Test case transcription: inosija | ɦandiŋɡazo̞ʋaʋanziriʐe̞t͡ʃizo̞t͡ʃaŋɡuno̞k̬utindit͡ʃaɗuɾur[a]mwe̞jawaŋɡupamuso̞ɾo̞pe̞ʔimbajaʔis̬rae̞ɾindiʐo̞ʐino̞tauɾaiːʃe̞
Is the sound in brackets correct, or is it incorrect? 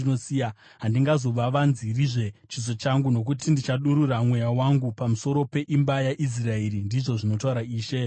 correct